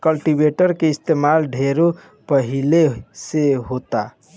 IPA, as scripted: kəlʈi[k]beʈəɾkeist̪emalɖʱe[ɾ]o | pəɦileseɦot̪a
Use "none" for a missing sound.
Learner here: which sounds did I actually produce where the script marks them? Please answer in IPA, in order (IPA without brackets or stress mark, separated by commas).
none, ɾ